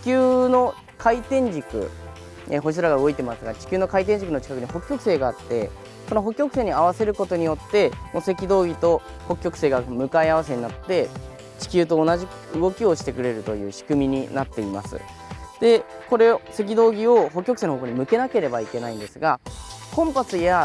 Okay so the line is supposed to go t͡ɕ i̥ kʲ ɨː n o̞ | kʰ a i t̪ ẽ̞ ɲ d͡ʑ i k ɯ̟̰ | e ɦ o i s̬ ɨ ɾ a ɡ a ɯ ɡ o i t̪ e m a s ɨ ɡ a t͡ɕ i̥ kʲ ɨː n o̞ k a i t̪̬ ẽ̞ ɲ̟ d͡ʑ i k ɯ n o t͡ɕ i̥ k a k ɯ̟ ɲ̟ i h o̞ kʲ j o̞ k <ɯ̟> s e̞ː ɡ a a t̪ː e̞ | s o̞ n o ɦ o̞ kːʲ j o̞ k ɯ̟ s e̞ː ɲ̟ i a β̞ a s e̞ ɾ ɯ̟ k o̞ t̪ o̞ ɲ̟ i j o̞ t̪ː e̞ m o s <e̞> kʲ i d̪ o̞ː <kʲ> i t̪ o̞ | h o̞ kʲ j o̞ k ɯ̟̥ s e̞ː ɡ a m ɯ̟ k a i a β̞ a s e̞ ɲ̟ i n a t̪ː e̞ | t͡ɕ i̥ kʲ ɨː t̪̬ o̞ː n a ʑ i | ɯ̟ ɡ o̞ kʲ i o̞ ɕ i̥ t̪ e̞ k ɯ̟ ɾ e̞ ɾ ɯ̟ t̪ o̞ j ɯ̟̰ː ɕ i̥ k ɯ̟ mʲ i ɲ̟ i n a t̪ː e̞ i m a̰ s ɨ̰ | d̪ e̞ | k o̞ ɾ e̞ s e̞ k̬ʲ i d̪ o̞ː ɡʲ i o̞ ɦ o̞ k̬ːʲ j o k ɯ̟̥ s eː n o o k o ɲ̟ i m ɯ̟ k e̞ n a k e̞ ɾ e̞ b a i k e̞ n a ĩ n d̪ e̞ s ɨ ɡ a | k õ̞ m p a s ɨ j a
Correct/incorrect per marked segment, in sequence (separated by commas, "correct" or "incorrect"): correct, correct, incorrect